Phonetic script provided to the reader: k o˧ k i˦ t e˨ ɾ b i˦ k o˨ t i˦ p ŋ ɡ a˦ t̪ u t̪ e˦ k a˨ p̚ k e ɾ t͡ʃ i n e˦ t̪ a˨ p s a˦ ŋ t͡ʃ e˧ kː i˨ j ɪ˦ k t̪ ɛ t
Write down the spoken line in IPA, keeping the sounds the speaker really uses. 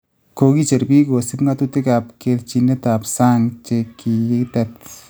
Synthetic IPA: k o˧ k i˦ t͡ʃ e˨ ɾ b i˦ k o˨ s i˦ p ŋ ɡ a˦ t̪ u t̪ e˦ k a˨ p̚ k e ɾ t͡ʃ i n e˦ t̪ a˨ p s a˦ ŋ t͡ʃ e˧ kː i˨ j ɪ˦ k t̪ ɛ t